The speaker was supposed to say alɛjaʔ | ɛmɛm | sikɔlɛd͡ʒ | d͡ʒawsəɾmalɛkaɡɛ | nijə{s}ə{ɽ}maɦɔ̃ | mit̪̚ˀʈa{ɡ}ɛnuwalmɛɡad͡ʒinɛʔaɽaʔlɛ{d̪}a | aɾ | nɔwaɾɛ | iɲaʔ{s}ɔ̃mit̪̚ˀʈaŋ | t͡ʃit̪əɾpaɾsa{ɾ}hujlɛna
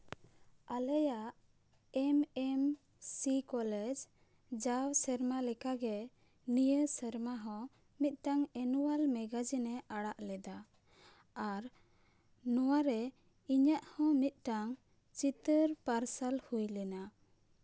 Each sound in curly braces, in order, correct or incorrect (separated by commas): correct, incorrect, incorrect, correct, incorrect, incorrect